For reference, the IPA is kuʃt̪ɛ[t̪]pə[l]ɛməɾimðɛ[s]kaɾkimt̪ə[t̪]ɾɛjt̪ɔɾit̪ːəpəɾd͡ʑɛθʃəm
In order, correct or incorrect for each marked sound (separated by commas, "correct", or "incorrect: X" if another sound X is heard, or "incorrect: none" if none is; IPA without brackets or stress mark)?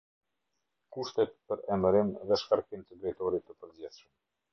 correct, incorrect: ɾ, incorrect: ʃ, incorrect: d̪